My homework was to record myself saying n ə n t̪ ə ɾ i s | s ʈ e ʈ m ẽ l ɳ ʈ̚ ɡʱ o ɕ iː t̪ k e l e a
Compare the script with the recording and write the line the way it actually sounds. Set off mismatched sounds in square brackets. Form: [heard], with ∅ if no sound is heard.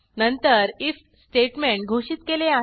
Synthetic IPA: n ə n t̪ ə ɾ i [f] | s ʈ e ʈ m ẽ [∅] ɳ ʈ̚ ɡʱ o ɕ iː t̪ k e l e a